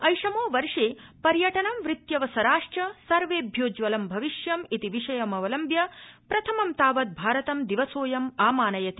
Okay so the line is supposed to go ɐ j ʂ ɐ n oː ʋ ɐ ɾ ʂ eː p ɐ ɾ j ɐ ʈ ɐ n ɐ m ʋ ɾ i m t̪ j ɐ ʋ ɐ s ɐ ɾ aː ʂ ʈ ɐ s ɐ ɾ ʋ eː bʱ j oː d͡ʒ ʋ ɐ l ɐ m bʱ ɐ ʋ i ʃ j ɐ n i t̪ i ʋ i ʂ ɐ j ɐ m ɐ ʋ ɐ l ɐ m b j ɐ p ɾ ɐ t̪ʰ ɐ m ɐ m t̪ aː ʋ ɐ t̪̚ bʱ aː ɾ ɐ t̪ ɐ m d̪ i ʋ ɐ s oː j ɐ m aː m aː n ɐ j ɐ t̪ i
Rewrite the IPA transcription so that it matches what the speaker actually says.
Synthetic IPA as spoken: ɐ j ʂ ɐ m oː ʋ ɐ ɾ ʂ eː p ɐ ɾ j ɐ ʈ ɐ n ɐ m ʋ ɾ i t̪ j ɐ ʋ ɐ s ɐ ɾ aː ʂ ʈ ɐ s ɐ ɾ ʋ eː bʱ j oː d͡ʒ ʋ ɐ l ɐ m bʱ ɐ ʋ i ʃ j ɐ m i t̪ i ʋ i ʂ ɐ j ɐ m ɐ ʋ ɐ l ɐ m b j ɐ p ɾ ɐ t̪ʰ ɐ m ɐ m t̪ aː ʋ ɐ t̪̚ bʱ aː ɾ ɐ t̪ ɐ m d̪ i ʋ ɐ s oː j ɐ m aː m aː n ɐ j ɐ t̪ i